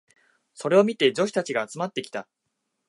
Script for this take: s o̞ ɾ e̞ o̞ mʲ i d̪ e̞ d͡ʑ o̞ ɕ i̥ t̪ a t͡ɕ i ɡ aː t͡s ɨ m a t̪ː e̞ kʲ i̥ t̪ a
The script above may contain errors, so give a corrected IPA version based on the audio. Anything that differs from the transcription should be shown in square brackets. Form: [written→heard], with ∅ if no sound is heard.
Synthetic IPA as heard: s o̞ ɾ e̞ o̞ mʲ i [d̪→t̪] e̞ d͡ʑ o̞ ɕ i̥ t̪ a t͡ɕ i ɡ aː t͡s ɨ m a t̪ː e̞ kʲ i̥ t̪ a